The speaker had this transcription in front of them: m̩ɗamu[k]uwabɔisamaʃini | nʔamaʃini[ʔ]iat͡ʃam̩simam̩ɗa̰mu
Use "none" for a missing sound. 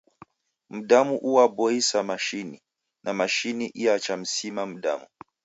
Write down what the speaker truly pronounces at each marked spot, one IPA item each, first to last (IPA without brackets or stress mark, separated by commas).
ʔ, ʔ